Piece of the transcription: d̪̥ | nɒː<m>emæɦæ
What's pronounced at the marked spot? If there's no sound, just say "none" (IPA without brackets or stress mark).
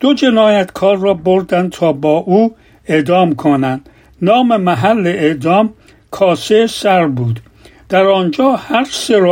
m